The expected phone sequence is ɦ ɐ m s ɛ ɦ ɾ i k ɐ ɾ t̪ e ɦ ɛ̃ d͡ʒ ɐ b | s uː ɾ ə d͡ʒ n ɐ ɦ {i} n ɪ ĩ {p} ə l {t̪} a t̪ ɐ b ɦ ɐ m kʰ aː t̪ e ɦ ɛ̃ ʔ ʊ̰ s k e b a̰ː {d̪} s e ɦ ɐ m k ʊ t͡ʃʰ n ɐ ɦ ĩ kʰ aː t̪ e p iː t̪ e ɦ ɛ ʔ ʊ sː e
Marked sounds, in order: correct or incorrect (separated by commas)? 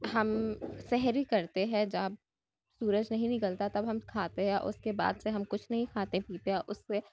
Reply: incorrect, incorrect, correct, correct